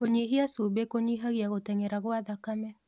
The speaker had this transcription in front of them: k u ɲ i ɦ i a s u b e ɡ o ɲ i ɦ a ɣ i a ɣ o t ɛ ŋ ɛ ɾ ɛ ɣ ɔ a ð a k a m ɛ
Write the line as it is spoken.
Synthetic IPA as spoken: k o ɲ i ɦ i a s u b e k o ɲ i ɦ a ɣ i a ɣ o t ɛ ŋ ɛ ɾ a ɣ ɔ a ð a k a m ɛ